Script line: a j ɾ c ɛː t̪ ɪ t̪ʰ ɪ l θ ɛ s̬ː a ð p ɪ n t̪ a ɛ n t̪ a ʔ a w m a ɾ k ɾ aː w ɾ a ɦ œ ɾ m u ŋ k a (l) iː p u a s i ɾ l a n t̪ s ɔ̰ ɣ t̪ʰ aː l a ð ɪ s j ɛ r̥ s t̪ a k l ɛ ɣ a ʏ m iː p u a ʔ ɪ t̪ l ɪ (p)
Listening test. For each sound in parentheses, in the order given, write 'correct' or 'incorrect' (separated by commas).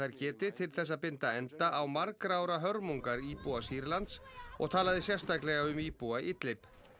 incorrect, correct